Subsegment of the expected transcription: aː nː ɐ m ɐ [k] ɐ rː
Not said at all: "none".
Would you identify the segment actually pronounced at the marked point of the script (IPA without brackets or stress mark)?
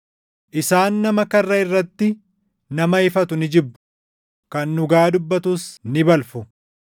k